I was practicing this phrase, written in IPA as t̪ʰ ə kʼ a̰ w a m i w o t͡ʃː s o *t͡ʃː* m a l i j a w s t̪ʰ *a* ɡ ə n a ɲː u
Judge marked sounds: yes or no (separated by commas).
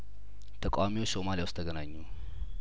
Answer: no, no